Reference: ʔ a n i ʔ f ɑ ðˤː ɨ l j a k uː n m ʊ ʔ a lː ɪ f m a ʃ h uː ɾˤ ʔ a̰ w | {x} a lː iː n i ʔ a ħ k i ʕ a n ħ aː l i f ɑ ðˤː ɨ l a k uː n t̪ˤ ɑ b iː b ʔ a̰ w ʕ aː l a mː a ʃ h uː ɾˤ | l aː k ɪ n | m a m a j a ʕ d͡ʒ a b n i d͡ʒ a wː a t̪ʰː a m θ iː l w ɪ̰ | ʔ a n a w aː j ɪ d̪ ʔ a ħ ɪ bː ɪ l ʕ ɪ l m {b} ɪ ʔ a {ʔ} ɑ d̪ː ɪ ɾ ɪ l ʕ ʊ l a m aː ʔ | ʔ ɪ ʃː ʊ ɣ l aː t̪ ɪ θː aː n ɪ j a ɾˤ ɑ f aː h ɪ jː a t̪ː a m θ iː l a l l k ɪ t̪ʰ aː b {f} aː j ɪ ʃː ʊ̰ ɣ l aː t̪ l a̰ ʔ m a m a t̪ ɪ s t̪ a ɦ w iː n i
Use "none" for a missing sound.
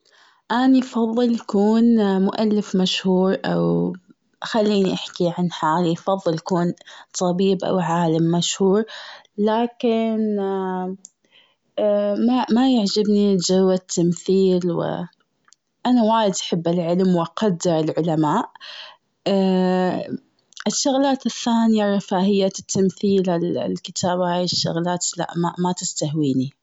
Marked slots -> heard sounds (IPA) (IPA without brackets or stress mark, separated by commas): x, w, q, h